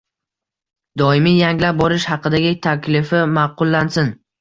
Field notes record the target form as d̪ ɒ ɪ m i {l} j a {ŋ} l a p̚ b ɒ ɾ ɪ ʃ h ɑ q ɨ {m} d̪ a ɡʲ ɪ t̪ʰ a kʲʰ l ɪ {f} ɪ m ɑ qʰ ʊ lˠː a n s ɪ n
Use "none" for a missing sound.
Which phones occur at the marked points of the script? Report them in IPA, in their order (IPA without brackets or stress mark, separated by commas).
none, ŋ, none, f